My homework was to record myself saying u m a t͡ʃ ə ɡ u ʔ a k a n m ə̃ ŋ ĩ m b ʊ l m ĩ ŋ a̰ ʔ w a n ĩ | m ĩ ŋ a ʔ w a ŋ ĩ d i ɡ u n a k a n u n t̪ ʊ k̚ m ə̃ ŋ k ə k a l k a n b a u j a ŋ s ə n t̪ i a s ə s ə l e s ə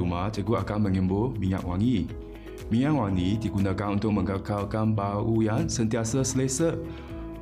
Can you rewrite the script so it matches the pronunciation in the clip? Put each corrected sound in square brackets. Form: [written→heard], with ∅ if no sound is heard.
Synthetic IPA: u m a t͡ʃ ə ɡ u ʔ a k a n m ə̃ ŋ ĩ m b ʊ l m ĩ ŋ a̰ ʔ w a [n→ŋ] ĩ | m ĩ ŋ a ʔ w a ŋ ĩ d i ɡ u n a k a n u n t̪ ʊ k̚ m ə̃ ŋ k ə k a l k a n b a u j a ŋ s ə n t̪ i a s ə s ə l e s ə